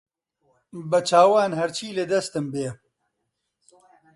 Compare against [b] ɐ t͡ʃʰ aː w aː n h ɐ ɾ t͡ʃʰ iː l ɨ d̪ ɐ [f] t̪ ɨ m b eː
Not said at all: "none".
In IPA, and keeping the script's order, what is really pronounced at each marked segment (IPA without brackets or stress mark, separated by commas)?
b, s